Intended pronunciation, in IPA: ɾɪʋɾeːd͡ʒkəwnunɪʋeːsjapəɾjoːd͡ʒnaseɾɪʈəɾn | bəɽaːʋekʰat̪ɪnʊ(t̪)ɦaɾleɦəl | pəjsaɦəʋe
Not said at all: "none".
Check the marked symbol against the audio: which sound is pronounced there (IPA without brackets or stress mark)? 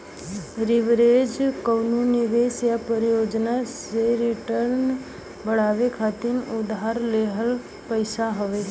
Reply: d̪